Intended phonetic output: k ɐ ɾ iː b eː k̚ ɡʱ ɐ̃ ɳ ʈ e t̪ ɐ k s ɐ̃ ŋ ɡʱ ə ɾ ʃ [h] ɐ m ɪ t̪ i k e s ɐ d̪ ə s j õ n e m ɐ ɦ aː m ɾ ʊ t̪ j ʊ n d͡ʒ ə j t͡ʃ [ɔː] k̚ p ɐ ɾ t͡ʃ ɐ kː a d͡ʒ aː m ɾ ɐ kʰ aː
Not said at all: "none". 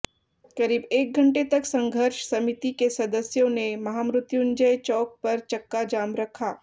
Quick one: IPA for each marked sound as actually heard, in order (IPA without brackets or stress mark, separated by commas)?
s, ɔː